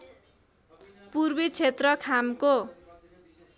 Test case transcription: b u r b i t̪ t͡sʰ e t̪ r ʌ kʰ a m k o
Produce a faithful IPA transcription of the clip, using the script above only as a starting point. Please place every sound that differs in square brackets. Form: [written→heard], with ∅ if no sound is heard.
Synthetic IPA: [b→p] u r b i [t̪→∅] t͡sʰ e t̪ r ʌ kʰ a m k o